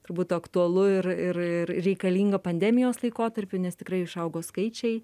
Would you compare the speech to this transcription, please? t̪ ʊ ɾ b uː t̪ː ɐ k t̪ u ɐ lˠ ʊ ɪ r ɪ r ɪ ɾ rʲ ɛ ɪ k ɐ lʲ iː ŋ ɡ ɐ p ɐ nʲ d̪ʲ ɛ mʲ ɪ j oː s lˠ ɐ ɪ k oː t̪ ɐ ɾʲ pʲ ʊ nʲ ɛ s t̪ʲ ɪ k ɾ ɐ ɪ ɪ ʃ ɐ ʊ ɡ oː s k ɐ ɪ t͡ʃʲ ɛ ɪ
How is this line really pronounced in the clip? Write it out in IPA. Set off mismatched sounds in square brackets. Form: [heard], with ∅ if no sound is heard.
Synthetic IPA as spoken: t̪ ʊ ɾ b uː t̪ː ɐ k t̪ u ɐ lˠ ʊ ɪ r ɪ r ɪ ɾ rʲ ɛ ɪ k ɐ lʲ iː ŋ ɡ ɐ p ɐ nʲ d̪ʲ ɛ mʲ ɪ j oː s lˠ ɐ ɪ k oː t̪ ɐ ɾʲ pʲ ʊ nʲ ɛ s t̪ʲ ɪ k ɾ ɐ ɪ ɪ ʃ ɐ ʊ ɡ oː s k ɐ ɪ t͡ʃʲ ɛ ɪ